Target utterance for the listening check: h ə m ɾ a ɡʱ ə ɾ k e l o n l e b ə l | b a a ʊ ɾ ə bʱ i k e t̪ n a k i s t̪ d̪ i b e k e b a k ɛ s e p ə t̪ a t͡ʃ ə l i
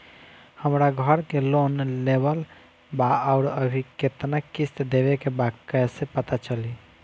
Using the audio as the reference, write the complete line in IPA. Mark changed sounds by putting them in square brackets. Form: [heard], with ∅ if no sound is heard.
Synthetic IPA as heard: h ə m ɾ a ɡʱ ə ɾ k e l o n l e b ə l | b a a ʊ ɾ ə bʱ i k e t̪ n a k i s t̪ d̪ [e] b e k e b a k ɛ s e p ə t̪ a t͡ʃ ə l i